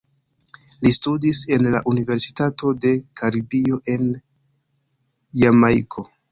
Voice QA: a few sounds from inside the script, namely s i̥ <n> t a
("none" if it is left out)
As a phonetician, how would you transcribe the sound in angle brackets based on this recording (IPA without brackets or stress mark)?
none